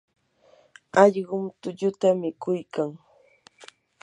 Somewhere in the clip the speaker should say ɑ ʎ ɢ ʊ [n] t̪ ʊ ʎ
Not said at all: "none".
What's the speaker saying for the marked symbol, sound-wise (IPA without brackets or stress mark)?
m